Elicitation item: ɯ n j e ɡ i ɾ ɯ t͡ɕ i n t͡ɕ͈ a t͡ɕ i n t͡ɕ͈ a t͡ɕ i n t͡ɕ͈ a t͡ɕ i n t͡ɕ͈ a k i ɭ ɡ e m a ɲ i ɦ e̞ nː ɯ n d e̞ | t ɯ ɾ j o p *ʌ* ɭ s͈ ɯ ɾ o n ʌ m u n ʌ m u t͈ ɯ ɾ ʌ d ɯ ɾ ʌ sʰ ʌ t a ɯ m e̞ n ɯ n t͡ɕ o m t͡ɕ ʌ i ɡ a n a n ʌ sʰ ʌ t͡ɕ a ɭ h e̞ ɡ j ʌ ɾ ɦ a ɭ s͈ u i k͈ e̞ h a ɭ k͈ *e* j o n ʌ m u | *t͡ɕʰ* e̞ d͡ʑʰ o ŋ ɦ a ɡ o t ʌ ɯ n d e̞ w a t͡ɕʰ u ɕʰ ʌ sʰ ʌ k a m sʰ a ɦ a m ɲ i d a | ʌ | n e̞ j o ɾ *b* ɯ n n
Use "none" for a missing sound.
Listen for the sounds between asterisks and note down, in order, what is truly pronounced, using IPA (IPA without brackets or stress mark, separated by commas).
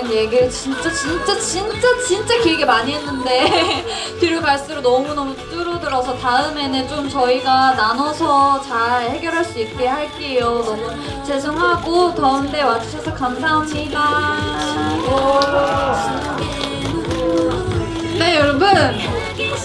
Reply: a, e, t͡ɕ, b